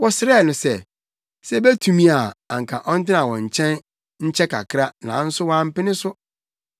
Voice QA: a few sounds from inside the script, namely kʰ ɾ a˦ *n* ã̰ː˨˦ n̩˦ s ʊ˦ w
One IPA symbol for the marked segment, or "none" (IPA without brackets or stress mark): n